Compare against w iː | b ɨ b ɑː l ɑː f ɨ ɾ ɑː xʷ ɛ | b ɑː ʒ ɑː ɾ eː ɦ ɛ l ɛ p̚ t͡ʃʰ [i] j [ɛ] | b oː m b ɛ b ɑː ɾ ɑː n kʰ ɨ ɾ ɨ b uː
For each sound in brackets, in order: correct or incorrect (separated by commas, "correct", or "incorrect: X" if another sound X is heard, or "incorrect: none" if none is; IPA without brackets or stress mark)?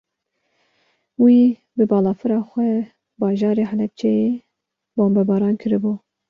incorrect: ɛ, incorrect: e